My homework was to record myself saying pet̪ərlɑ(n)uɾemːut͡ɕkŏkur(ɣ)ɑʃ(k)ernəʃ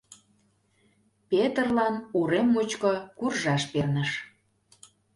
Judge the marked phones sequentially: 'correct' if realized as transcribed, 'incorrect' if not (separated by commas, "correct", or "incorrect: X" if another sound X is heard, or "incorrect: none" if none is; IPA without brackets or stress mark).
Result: correct, incorrect: ʒ, incorrect: p